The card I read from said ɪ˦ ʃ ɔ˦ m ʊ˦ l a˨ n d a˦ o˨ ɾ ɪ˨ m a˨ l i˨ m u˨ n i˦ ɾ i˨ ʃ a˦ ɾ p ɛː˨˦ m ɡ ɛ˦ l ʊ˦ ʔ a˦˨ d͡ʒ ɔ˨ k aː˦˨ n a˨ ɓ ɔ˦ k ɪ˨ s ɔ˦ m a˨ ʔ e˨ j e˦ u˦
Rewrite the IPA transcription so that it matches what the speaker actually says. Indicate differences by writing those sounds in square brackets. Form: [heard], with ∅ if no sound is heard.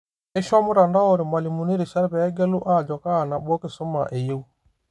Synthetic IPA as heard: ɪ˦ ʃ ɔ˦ m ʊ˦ [ɾ] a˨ n d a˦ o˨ ɾ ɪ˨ m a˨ l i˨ m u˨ n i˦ ɾ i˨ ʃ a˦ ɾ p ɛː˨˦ [∅] ɡ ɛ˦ l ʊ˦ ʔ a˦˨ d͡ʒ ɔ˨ k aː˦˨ n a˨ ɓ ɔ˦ k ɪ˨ s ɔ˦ m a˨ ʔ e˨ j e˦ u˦